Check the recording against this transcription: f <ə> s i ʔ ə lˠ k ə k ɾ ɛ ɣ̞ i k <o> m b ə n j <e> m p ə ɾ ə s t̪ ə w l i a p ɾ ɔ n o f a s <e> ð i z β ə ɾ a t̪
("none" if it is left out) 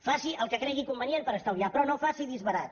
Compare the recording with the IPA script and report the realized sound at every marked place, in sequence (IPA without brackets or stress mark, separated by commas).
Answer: a, u, e, i